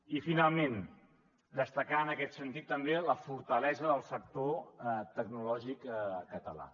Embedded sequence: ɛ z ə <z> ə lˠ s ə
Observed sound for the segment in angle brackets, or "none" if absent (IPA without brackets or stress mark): ð